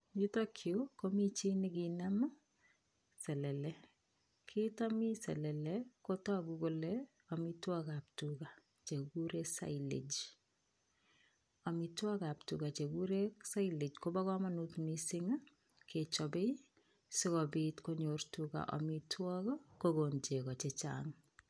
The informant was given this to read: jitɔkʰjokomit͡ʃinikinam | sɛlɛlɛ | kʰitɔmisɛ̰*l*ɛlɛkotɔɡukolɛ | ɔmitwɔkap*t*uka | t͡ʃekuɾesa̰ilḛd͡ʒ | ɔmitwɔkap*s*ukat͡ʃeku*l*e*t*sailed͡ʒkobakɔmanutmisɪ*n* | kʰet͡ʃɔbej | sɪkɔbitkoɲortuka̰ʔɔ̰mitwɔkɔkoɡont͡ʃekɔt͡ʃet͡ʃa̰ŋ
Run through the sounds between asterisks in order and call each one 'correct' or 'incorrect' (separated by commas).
correct, correct, incorrect, incorrect, incorrect, incorrect